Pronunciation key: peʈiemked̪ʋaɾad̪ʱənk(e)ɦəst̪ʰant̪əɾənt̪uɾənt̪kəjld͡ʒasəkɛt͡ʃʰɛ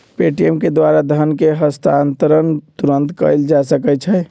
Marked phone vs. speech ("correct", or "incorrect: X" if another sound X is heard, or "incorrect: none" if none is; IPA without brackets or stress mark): correct